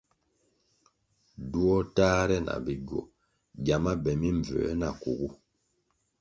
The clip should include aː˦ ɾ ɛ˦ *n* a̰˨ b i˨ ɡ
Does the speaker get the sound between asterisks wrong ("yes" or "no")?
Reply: no